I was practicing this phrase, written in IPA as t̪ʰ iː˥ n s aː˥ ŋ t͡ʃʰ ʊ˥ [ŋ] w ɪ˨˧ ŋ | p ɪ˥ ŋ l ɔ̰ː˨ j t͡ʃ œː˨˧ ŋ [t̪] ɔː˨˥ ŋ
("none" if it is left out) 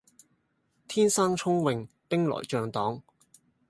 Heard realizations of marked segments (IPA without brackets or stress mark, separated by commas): ŋ, t̪